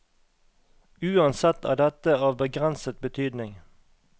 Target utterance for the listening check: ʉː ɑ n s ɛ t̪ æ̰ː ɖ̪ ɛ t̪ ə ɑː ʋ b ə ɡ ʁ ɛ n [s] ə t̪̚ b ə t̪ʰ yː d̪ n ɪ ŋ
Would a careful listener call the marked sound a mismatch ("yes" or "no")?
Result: no